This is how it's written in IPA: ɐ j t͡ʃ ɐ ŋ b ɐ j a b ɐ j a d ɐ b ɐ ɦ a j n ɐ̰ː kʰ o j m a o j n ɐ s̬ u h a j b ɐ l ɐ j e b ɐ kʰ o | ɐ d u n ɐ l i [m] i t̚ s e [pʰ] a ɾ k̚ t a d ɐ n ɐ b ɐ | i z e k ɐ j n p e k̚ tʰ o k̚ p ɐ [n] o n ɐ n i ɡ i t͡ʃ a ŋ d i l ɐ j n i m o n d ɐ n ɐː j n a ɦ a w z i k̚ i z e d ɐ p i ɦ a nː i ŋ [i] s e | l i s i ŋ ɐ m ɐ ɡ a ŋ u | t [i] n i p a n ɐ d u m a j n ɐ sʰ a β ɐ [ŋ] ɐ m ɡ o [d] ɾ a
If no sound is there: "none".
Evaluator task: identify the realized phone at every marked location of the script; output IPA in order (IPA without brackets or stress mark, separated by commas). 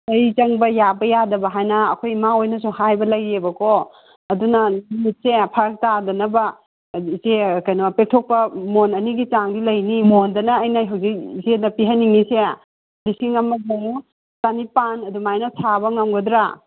m, pʰ, m, i, a, ŋ, d